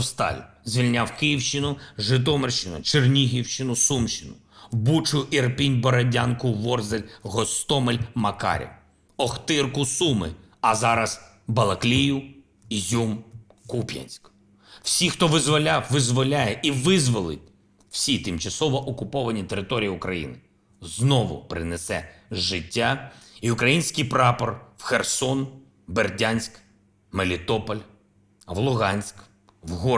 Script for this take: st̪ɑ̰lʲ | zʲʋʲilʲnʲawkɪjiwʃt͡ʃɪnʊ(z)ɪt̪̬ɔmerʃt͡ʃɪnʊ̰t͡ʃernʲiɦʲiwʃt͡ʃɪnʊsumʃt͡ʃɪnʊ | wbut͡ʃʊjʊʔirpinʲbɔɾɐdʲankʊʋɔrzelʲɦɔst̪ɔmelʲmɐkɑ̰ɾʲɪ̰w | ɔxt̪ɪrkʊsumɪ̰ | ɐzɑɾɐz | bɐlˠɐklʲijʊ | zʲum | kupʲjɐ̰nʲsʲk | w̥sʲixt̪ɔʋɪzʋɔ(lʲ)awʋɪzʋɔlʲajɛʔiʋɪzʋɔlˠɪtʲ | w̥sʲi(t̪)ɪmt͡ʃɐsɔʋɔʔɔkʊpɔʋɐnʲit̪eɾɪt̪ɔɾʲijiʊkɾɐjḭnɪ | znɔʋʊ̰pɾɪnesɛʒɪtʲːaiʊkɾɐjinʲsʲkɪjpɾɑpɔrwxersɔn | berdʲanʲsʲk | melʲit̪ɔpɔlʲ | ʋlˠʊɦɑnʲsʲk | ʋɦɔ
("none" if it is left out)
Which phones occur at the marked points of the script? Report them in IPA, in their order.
ʒ, lʲ, t̪

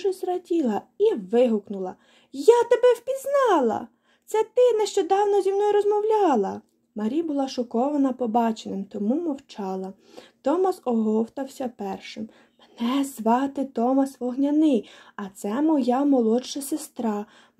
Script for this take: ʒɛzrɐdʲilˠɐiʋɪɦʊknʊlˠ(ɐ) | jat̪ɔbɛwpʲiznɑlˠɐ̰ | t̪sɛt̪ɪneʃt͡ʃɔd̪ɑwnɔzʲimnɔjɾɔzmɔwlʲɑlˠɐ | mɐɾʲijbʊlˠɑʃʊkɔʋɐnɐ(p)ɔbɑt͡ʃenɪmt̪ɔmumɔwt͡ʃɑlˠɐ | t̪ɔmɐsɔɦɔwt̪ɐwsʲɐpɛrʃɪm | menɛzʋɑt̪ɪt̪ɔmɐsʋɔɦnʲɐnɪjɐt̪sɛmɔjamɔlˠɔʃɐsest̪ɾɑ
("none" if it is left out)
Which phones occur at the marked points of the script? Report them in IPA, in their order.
ɐ, p

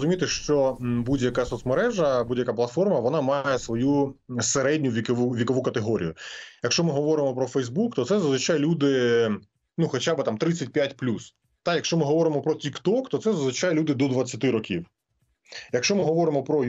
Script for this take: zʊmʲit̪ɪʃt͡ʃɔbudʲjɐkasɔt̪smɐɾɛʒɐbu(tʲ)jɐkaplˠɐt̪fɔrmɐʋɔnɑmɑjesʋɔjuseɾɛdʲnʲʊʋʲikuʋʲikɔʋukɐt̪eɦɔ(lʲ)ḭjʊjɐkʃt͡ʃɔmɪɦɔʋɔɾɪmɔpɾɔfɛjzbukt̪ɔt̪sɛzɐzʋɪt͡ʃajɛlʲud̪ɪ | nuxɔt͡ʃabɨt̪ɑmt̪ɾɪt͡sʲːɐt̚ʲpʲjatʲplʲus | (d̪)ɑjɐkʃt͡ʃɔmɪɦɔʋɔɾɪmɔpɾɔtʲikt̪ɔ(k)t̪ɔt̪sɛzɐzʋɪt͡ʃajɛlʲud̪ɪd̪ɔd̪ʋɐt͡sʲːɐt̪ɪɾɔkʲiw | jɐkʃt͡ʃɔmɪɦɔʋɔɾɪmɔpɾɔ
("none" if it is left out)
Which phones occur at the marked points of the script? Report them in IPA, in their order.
dʲ, ɾʲ, t̪, k

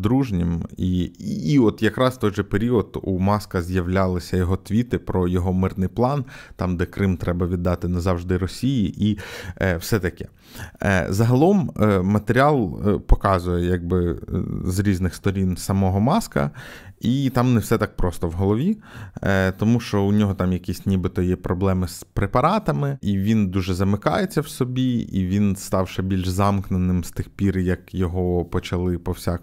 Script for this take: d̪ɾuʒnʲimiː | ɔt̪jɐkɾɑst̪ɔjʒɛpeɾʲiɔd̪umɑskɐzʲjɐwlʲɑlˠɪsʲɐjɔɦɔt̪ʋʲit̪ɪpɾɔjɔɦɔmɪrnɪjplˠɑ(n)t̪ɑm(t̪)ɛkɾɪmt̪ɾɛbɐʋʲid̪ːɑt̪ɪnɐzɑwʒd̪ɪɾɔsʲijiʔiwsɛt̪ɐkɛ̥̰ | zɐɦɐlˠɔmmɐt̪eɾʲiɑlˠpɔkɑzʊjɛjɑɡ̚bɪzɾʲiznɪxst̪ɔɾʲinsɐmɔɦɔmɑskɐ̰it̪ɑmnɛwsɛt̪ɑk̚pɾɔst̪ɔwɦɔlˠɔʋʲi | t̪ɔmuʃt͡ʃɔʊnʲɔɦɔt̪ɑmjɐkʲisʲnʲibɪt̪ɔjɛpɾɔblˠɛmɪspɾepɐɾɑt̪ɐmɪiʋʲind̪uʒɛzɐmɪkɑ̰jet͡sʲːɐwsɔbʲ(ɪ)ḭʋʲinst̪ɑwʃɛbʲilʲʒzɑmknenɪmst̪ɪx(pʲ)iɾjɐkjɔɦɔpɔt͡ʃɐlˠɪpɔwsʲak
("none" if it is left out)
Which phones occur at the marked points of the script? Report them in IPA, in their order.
n, d̪, i, pʲ

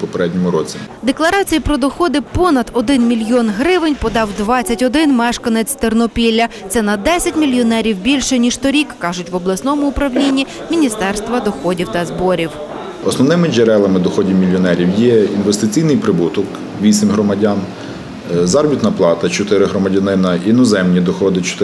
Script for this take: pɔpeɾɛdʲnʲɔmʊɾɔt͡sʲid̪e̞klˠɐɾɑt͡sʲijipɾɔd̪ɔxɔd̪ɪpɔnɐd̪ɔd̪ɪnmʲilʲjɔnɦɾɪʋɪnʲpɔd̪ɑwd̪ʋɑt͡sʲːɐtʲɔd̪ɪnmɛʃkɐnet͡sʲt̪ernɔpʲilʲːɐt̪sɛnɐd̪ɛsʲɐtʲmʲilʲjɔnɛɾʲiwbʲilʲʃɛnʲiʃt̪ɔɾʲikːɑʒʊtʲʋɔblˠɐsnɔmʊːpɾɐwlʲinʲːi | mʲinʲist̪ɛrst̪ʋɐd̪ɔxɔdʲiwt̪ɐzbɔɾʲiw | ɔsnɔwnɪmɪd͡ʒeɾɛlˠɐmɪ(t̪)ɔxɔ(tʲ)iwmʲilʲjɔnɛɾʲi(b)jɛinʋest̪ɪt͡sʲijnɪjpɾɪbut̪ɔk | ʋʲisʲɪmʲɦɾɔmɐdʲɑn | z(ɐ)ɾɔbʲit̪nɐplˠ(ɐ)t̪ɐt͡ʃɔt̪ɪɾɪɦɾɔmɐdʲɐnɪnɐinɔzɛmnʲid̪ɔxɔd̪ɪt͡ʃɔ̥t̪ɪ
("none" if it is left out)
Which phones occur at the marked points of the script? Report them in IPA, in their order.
d̪, dʲ, w, ɑ, ɑ

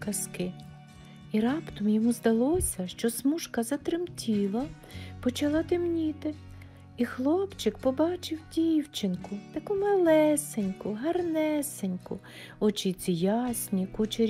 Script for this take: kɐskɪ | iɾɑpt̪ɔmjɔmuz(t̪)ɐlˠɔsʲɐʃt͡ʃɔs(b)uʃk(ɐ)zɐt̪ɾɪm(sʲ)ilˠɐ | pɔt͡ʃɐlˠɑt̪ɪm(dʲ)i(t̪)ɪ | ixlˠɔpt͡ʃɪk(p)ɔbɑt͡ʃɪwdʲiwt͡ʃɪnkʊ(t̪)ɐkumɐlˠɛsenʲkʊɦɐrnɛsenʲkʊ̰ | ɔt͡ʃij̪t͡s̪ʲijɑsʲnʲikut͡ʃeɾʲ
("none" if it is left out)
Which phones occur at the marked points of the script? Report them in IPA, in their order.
d̪, m, ɐ, tʲ, nʲ, t̪, p, t̪

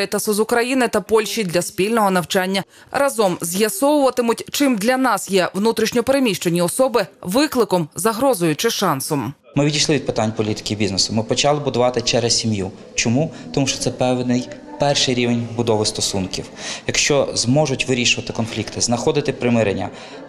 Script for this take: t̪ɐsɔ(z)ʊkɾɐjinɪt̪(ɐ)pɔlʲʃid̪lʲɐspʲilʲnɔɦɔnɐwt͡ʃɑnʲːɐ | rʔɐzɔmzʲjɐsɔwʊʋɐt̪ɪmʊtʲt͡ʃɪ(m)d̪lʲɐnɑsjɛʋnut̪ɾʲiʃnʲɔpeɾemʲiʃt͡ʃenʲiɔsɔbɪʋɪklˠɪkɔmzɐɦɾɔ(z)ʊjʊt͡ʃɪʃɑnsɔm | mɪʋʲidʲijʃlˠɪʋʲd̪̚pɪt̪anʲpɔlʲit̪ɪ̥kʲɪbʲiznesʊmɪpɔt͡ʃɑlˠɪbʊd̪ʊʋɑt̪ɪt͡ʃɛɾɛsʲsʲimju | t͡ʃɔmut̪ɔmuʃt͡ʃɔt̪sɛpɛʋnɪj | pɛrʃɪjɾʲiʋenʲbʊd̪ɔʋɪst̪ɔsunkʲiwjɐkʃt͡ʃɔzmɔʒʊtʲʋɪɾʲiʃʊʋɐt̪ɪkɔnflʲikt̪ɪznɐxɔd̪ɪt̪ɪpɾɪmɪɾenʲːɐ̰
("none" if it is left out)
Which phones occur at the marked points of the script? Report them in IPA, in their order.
z, ɐ, m, z

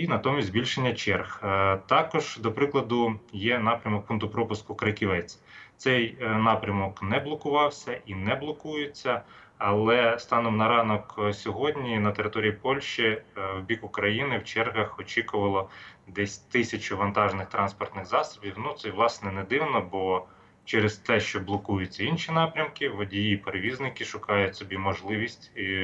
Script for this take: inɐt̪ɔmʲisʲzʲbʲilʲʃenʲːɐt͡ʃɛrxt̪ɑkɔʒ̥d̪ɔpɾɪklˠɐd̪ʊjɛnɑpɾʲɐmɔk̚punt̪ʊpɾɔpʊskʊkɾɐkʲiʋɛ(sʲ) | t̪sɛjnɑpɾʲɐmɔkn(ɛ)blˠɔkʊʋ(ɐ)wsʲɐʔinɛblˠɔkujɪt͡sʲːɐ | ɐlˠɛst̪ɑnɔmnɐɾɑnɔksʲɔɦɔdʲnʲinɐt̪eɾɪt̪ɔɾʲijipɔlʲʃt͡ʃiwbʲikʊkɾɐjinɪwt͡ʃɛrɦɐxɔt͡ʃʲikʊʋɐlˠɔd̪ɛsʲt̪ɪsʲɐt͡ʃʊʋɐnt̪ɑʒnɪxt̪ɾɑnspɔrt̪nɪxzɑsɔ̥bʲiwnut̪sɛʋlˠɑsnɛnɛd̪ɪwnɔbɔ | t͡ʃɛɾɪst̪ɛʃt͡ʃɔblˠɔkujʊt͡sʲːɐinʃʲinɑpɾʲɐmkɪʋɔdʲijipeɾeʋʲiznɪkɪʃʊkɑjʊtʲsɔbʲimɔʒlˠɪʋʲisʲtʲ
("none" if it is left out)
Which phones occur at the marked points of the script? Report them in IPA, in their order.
t͡sʲ, ɛ, ɑ

